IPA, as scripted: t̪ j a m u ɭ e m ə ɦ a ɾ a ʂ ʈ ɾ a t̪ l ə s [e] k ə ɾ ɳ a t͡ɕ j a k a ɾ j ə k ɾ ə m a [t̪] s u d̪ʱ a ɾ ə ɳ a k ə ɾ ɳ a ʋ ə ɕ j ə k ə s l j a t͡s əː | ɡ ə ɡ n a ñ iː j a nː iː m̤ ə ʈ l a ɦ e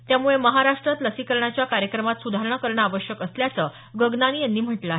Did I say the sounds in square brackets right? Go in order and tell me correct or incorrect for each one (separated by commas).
incorrect, correct